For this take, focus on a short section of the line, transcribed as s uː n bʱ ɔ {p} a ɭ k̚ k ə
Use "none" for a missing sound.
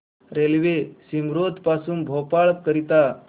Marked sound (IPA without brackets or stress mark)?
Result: p